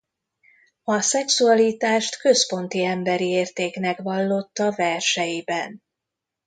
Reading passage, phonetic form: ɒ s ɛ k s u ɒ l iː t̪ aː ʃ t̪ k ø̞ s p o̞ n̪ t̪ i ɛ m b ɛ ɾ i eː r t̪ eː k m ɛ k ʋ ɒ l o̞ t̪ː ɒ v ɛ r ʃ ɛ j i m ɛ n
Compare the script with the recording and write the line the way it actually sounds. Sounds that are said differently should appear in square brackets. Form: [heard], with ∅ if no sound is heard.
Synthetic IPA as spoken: ɒ s ɛ k s u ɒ l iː t̪ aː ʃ t̪ k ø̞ s p o̞ n̪ t̪ i ɛ m b ɛ ɾ i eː r t̪ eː k [n] ɛ k ʋ ɒ [lː] o̞ t̪ː ɒ v ɛ r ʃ ɛ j i [b] ɛ n